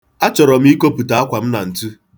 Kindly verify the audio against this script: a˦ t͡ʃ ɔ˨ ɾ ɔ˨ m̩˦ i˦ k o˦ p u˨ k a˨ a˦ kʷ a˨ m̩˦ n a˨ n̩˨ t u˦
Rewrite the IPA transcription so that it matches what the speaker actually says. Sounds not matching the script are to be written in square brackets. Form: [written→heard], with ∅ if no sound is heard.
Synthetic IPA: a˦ t͡ʃ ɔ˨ ɾ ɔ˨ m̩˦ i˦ k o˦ p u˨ [k→t] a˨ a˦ kʷ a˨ m̩˦ n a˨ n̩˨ t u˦